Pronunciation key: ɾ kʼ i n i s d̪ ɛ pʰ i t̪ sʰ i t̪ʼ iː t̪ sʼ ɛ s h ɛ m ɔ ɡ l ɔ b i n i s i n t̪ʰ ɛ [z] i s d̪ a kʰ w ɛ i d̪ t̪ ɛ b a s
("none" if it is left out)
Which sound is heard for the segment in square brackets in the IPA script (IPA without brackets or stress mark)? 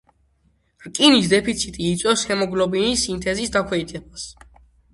z